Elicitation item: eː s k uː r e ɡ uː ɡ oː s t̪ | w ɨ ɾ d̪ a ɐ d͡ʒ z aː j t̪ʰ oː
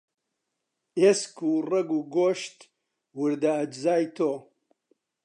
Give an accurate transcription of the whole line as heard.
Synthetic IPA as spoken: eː s k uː r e ɡ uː ɡ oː ʃ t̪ | w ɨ ɾ d̪ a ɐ d͡ʒ z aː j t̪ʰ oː